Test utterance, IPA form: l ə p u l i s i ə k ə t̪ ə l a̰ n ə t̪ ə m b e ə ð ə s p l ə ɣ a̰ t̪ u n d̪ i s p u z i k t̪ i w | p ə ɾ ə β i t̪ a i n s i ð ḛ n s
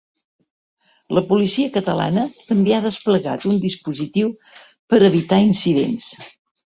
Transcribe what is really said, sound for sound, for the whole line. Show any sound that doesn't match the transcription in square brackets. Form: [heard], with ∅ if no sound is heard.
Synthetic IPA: l ə p u l i s i ə k ə t̪ ə l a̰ n ə t̪ ə m b e [a] ð ə s p l ə ɣ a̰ t̪ u n d̪ i s p u z i [∅] t̪ i w | p ə ɾ ə β i t̪ a i n s i ð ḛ n s